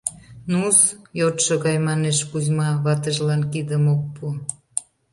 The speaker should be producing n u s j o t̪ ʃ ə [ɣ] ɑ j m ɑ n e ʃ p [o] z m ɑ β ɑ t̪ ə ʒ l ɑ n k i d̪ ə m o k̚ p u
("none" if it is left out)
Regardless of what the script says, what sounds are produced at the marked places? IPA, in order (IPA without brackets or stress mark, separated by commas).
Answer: ɣ, u